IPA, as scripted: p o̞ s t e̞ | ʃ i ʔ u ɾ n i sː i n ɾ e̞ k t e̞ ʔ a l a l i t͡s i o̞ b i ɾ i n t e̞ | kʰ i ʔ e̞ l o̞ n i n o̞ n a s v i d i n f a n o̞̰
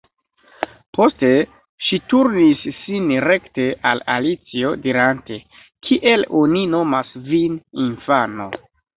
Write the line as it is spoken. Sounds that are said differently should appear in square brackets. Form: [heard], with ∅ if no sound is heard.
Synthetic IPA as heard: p o̞ s t e̞ | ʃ i [t] u ɾ n i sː i n ɾ e̞ k t e̞ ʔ a l a l i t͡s i o̞ [d] i ɾ [a] n t e̞ | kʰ i ʔ e̞ l o̞ n i n o̞ [m] a s v i [n] i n f a n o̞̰